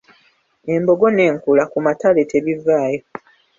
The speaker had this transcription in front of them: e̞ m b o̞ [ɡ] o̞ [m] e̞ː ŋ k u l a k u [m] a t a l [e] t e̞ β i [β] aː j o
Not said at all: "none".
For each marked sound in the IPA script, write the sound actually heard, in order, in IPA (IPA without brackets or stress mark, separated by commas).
ɡ, n, m, e, v